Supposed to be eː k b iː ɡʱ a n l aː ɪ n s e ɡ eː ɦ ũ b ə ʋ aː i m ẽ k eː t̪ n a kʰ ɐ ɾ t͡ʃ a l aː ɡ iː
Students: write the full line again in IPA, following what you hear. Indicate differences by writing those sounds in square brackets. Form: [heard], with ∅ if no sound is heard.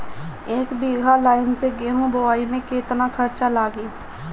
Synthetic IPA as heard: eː k b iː ɡʱ a [∅] l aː ɪ n s e ɡ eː ɦ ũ b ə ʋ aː i m ẽ k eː t̪ n a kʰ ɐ ɾ t͡ʃ a l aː ɡ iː